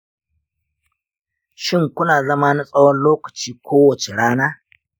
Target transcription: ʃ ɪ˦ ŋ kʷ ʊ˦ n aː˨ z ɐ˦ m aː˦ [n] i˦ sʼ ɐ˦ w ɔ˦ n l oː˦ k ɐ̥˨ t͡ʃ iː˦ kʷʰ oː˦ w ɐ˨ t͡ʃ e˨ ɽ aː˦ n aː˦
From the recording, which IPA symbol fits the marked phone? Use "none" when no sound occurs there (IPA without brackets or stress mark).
n